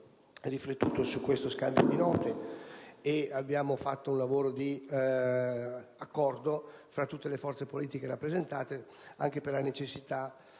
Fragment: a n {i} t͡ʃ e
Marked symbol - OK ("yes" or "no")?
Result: no